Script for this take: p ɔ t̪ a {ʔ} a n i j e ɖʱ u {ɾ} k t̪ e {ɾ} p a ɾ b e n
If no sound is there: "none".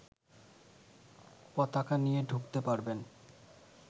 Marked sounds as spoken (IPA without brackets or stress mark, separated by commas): k, none, none